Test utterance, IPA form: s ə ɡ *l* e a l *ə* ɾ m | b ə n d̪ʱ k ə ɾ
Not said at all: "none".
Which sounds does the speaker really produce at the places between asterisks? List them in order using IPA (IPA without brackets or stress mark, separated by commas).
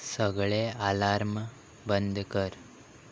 ɭ, a